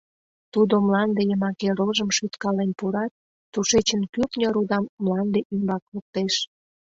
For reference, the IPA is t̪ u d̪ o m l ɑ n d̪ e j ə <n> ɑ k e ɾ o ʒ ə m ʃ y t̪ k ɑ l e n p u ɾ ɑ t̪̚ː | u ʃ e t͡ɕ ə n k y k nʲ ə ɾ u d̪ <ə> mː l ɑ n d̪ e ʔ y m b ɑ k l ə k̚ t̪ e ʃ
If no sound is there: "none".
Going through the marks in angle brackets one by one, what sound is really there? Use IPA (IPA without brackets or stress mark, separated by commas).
m, ɑ